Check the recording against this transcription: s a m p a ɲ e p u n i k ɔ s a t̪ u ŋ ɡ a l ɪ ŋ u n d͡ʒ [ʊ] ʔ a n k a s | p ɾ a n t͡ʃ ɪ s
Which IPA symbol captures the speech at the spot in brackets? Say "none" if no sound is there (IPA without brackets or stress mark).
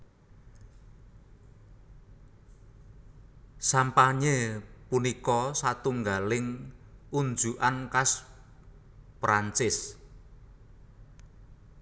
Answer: u